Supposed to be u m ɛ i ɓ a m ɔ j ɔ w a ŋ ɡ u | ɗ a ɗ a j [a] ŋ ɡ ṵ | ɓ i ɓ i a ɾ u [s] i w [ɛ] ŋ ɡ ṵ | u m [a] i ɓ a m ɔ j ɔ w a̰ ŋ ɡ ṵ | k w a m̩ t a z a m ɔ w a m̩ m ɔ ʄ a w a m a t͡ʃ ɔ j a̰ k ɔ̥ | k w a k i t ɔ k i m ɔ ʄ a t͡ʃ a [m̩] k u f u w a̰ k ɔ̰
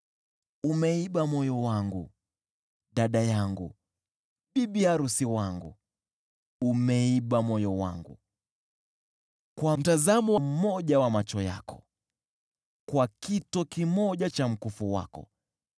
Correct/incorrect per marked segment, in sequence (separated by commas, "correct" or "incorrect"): correct, correct, incorrect, incorrect, correct